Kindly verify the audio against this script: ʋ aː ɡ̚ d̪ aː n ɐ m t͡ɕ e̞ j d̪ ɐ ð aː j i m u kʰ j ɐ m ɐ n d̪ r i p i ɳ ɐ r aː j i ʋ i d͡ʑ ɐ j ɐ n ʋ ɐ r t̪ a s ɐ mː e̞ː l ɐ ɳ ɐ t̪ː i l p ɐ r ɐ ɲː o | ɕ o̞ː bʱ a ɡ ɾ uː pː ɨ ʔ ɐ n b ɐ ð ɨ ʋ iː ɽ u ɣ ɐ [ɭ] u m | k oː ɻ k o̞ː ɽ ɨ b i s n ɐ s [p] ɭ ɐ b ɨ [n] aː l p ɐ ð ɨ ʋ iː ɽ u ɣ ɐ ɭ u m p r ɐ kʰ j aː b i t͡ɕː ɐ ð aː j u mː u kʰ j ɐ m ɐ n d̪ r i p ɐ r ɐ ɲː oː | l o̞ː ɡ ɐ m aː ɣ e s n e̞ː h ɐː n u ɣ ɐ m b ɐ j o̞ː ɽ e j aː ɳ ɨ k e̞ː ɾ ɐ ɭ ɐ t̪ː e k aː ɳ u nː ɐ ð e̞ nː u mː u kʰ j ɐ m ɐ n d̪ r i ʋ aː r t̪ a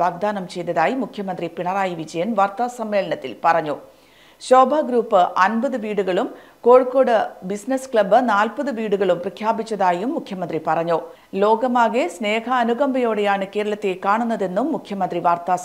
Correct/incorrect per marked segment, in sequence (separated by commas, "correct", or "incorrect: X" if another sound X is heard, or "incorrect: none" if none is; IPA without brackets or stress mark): correct, incorrect: k, correct